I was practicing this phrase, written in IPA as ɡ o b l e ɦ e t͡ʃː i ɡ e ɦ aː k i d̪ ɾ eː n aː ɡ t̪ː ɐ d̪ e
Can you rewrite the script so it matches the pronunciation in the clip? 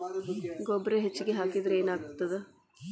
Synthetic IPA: ɡ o b ɾ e ɦ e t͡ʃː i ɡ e ɦ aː k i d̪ ɾ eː n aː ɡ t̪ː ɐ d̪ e